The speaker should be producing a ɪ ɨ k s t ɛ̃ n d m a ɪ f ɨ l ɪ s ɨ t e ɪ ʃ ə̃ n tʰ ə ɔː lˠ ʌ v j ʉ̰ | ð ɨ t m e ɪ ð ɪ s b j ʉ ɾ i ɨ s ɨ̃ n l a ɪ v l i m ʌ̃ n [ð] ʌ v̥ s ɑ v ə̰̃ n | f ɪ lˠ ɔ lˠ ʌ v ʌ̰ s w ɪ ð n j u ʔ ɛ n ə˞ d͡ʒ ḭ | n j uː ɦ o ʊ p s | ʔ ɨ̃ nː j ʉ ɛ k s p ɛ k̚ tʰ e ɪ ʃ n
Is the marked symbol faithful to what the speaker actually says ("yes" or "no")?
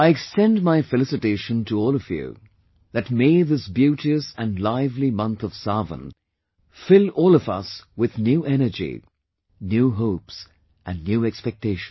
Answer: no